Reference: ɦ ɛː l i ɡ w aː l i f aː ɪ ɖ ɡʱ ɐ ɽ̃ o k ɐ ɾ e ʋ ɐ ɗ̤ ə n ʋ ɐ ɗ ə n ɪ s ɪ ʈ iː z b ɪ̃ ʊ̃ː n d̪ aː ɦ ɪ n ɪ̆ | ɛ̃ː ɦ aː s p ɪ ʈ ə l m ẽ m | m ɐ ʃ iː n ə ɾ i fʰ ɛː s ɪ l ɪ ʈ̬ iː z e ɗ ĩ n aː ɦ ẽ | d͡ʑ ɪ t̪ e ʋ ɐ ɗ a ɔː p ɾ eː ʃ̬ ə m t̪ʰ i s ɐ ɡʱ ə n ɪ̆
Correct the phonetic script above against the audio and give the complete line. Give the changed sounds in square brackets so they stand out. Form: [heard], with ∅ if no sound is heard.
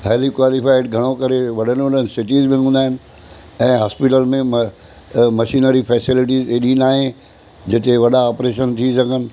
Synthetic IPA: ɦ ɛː l i [k] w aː l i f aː ɪ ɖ ɡʱ ɐ ɽ̃ o k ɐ ɾ e ʋ ɐ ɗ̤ ə n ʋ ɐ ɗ ə n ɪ s ɪ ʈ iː z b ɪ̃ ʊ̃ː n d̪ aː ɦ ɪ n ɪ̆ | ɛ̃ː ɦ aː s p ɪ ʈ ə l m ẽ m | m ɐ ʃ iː n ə ɾ i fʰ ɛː s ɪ l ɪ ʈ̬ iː z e ɗ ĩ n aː ɦ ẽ | d͡ʑ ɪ t̪ e ʋ ɐ ɗ a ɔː p ɾ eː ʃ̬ ə [n] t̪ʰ i s ɐ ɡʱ ə n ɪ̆

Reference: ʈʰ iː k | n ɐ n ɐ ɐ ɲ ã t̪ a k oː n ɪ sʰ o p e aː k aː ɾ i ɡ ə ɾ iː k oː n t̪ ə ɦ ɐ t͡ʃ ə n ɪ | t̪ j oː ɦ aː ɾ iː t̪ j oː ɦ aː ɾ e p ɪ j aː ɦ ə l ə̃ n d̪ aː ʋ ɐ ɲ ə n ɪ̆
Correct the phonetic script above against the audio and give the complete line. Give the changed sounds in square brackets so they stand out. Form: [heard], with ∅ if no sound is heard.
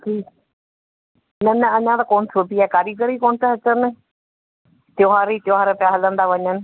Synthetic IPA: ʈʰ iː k | n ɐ n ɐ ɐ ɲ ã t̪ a k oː n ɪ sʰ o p [i] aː k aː ɾ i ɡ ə ɾ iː k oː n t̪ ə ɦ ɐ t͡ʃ ə n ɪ | t̪ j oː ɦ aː ɾ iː t̪ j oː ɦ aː ɾ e p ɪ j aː ɦ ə l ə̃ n d̪ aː ʋ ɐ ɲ ə n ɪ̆

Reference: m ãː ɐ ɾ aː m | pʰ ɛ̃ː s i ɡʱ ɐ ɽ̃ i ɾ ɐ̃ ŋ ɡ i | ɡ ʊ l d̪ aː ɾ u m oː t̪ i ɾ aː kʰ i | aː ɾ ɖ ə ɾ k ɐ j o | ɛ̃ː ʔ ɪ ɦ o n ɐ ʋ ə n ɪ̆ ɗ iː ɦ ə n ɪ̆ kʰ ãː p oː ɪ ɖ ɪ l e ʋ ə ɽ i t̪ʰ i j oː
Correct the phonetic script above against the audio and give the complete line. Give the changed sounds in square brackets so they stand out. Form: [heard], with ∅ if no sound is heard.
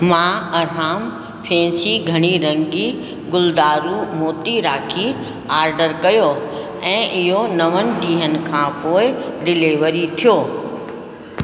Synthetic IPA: m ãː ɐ ɾ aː m | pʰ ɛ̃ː s i ɡʱ ɐ ɽ̃ i ɾ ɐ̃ ŋ ɡ i | ɡ ʊ l d̪ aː ɾ u m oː t̪ i ɾ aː kʰ i | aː ɾ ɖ ə ɾ k ɐ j o | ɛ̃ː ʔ ɪ ɦ o n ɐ ʋ ə n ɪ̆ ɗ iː ɦ ə n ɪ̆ kʰ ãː p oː ɪ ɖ ɪ l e ʋ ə [ɾ] i t̪ʰ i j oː

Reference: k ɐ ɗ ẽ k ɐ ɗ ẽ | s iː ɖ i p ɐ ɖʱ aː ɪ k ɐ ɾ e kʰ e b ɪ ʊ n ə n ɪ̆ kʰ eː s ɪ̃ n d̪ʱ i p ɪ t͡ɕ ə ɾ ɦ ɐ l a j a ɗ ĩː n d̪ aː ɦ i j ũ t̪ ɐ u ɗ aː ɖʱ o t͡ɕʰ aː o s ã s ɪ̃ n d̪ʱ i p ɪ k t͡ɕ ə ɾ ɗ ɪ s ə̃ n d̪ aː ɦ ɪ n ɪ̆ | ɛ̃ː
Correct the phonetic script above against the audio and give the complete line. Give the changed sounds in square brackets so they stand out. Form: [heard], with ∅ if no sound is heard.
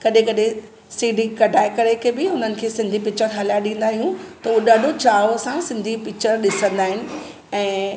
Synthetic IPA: k ɐ ɗ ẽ k ɐ ɗ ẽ | s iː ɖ i [k] ɐ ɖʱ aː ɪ k ɐ ɾ e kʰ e b ɪ ʊ n ə n ɪ̆ kʰ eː s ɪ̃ n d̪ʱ i p ɪ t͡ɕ ə ɾ ɦ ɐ l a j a ɗ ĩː n d̪ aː ɦ i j ũ t̪ ɐ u ɗ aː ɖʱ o [t͡ɕ] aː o s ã s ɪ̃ n d̪ʱ i p ɪ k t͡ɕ ə ɾ ɗ ɪ s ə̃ n d̪ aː ɦ ɪ n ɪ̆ | ɛ̃ː

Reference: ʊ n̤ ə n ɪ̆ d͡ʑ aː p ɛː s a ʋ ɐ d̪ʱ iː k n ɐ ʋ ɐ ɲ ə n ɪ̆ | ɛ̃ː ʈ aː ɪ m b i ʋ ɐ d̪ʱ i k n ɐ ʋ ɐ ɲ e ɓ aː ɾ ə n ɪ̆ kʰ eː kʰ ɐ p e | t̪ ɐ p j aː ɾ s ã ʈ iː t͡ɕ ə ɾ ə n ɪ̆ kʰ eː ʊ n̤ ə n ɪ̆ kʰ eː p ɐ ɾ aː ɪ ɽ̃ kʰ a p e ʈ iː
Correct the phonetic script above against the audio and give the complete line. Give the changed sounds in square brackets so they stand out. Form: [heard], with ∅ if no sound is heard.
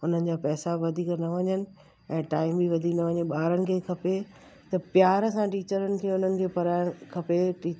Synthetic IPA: ʊ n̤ ə n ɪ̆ d͡ʑ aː p ɛː s a ʋ ɐ d̪ʱ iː k n ɐ ʋ ɐ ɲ ə n ɪ̆ | ɛ̃ː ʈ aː ɪ m b i ʋ ɐ d̪ʱ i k n ɐ ʋ ɐ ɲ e ɓ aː ɾ ə n ɪ̆ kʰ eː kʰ ɐ p e | t̪ ɐ p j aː ɾ s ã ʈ iː t͡ɕ ə ɾ ə n ɪ̆ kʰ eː ʊ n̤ ə n ɪ̆ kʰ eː p ɐ ɾ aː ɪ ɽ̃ kʰ [ɐ] p e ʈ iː

